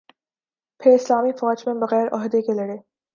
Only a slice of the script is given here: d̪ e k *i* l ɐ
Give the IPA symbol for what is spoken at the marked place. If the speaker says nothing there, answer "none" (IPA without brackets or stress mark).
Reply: e